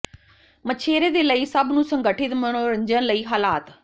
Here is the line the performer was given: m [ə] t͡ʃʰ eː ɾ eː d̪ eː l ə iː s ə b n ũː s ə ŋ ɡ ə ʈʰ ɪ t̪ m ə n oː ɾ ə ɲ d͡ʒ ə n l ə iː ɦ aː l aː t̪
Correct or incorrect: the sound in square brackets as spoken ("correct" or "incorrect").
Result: correct